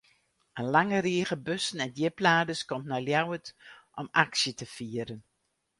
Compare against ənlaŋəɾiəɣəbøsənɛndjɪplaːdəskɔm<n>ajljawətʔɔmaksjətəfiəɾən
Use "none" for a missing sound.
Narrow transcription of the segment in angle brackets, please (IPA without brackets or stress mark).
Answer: n